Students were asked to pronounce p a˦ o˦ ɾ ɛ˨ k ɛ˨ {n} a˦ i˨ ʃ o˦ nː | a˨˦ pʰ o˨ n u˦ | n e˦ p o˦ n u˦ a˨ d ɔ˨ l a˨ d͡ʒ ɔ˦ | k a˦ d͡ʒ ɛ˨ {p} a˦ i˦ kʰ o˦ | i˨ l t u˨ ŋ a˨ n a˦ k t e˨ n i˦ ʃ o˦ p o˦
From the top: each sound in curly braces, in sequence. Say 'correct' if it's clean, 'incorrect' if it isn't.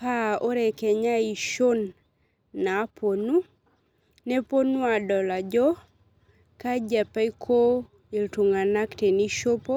incorrect: ɲ, correct

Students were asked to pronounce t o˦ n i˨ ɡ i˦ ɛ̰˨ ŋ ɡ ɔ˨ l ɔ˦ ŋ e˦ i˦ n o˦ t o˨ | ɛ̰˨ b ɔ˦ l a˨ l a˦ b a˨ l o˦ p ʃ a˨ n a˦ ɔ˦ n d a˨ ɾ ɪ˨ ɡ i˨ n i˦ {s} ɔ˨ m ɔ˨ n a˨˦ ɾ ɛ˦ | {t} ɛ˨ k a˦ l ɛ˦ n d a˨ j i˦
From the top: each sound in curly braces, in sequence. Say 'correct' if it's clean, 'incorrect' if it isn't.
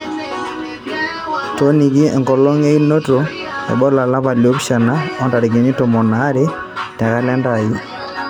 incorrect: t, correct

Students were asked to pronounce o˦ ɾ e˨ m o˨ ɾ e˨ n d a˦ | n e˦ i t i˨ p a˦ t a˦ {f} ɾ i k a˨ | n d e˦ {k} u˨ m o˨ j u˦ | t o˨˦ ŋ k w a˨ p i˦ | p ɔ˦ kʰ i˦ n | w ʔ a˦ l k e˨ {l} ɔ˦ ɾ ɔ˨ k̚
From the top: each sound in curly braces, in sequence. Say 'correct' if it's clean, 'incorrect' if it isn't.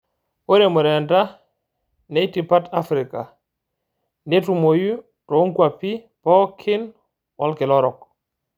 correct, incorrect: t, correct

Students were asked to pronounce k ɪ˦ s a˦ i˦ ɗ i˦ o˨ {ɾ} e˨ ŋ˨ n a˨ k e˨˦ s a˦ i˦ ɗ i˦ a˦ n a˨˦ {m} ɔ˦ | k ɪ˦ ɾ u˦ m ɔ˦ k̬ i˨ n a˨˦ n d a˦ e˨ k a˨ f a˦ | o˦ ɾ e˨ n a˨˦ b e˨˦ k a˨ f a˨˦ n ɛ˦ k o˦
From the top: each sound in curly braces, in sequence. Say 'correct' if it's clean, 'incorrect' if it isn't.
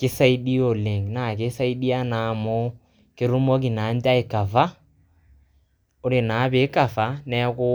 incorrect: l, correct

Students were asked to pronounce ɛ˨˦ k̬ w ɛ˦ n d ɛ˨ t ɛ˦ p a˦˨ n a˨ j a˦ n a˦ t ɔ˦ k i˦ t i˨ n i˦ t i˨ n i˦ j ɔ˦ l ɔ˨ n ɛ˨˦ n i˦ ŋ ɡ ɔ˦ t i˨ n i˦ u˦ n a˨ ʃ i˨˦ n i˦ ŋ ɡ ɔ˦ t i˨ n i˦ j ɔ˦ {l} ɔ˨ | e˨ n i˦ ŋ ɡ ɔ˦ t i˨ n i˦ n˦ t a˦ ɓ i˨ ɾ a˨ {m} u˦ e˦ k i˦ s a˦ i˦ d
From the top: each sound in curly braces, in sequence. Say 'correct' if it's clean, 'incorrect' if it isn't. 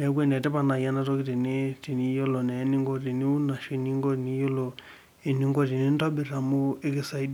correct, correct

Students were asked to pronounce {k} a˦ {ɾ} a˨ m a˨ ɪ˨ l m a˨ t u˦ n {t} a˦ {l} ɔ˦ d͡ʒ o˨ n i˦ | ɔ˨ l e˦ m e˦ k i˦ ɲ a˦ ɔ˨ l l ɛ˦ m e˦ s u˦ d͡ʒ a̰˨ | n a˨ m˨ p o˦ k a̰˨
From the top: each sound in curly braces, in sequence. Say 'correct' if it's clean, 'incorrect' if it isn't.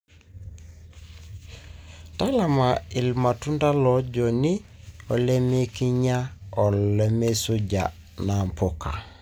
incorrect: t, incorrect: l, incorrect: d, correct

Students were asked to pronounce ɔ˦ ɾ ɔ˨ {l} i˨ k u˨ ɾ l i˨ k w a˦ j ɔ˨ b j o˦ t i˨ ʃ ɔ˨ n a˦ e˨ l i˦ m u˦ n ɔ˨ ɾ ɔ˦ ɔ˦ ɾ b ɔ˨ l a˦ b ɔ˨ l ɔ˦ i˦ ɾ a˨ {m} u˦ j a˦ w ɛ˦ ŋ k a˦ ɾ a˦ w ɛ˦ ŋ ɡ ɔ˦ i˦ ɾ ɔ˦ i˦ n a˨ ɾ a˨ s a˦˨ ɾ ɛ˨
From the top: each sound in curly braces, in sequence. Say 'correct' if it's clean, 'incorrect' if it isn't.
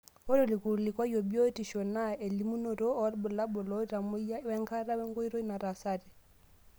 correct, correct

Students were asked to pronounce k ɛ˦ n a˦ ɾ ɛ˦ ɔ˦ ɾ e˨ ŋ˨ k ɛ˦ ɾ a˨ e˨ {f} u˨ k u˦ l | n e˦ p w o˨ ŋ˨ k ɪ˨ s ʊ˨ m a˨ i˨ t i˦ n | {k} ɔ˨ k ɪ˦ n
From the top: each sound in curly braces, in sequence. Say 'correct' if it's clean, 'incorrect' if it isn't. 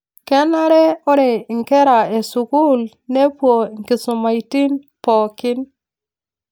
incorrect: s, incorrect: p

